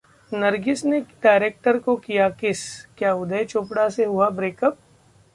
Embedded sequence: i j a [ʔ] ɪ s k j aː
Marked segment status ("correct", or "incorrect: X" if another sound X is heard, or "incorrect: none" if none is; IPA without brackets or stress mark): incorrect: k